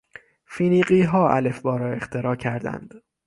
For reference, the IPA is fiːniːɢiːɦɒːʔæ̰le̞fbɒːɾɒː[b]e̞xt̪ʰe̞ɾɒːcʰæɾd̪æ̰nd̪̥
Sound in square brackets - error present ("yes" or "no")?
yes